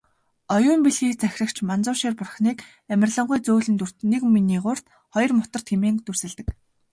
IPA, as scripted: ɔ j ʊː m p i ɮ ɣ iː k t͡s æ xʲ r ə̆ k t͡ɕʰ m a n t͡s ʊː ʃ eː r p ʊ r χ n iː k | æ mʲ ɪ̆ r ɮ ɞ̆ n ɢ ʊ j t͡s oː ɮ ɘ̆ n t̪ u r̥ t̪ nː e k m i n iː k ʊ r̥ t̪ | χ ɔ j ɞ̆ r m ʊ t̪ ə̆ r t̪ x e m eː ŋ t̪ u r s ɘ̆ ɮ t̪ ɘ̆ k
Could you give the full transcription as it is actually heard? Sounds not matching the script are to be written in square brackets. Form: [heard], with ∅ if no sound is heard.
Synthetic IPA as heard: ɔ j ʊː m p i ɮ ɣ iː k t͡s æ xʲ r ə̆ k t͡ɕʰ m a n t͡s ʊː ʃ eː r p ʊ r χ n iː k | æ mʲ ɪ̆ r ɮ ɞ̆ [ɴ] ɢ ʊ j t͡s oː ɮ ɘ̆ n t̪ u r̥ t̪ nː e k m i n iː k ʊ r̥ t̪ | χ ɔ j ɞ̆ r m ʊ t̪ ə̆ r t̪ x e m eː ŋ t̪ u r s ɘ̆ ɮ t̪ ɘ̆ k